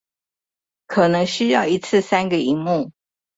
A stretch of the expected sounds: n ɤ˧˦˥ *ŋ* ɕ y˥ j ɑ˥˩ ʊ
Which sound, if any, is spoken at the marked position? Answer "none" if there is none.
ŋ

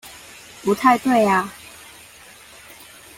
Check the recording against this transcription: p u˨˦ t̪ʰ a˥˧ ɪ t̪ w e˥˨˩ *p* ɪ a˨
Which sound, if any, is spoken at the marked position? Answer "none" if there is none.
none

